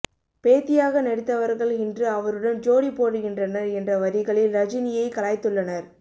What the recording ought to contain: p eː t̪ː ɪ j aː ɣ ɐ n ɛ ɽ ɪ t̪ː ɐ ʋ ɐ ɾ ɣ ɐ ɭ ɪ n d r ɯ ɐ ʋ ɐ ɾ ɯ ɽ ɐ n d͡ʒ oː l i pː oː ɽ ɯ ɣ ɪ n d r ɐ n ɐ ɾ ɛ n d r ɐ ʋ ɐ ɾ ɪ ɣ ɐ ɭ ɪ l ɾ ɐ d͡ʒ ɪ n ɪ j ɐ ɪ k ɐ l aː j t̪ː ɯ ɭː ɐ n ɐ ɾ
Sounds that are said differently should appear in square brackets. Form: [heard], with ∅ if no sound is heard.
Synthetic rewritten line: p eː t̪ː ɪ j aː ɣ ɐ n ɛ ɽ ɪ t̪ː ɐ ʋ ɐ ɾ ɣ ɐ ɭ ɪ n d r ɯ ɐ ʋ ɐ ɾ ɯ ɽ ɐ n d͡ʒ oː [ɽ] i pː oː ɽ ɯ ɣ ɪ n d r ɐ n ɐ ɾ ɛ n d r ɐ ʋ ɐ ɾ ɪ ɣ ɐ ɭ ɪ l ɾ ɐ d͡ʒ ɪ n ɪ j ɐ ɪ k ɐ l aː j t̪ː ɯ ɭː ɐ n ɐ ɾ